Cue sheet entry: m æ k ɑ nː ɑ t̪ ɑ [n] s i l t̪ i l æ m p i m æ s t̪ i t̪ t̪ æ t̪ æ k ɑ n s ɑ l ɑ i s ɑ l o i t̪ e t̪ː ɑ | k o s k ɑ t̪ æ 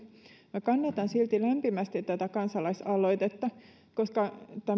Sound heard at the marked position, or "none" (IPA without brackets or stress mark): n